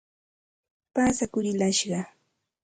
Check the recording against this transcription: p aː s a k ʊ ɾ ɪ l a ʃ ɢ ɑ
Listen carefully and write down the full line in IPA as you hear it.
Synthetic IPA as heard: p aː s a k ʊ ɾ ɪ l a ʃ ɢ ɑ